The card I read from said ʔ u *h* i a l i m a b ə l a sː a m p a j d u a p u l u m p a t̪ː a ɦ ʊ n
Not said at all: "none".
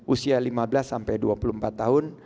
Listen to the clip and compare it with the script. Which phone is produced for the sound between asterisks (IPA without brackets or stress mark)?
s